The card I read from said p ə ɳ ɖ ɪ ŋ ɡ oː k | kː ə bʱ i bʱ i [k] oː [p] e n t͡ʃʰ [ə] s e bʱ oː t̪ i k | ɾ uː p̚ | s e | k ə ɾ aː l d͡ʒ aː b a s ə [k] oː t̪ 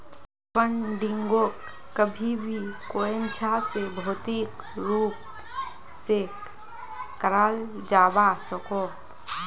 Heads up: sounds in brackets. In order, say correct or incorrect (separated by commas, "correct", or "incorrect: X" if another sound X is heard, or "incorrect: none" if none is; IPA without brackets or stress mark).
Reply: correct, incorrect: none, incorrect: a, correct